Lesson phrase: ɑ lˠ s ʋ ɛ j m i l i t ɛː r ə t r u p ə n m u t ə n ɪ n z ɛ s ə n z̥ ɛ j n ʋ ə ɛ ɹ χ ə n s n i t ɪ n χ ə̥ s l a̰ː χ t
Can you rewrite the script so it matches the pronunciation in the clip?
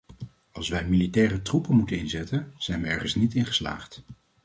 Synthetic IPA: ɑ lˠ s ʋ ɛ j m i l i t ɛː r ə t r u p ə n m u t ə n ɪ n z ɛ t ə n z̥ ɛ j n ʋ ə ɛ ɹ χ ə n s n i t ɪ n χ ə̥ s l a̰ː χ t